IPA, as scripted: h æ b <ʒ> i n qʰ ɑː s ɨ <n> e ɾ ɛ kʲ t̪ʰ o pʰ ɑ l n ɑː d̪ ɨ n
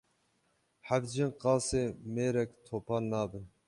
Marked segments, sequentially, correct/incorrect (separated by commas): incorrect, incorrect